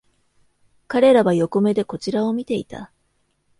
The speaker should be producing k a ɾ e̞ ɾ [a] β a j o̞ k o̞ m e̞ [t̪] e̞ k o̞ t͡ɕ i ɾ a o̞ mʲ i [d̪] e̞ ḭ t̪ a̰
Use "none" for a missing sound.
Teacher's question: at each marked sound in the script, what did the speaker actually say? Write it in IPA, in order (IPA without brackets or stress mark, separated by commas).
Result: a, d̪, t̪